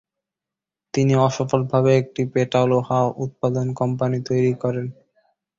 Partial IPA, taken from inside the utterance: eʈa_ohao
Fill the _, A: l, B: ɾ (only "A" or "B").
A